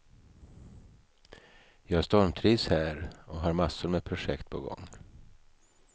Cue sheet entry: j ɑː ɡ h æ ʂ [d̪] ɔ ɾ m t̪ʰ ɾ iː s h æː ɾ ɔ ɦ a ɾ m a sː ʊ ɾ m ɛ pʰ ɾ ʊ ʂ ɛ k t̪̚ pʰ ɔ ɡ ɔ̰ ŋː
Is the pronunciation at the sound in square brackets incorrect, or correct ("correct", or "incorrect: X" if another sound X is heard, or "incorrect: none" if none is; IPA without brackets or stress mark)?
incorrect: t̪